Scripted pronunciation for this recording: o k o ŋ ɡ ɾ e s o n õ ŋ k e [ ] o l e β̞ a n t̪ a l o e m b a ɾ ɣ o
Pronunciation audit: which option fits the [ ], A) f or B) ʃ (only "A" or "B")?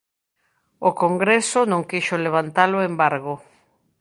B